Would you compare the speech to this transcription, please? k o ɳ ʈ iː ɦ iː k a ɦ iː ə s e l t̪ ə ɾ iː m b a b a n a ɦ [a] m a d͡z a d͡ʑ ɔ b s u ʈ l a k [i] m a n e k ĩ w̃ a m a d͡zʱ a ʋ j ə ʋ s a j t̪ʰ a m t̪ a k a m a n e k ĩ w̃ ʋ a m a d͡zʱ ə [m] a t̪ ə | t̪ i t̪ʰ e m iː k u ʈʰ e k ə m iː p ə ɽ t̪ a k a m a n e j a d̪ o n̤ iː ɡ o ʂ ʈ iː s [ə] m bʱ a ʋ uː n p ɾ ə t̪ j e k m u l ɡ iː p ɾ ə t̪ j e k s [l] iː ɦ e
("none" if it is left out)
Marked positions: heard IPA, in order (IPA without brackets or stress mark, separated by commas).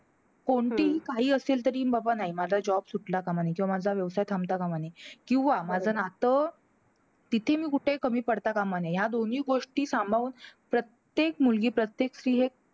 i, a, n, a, ɾ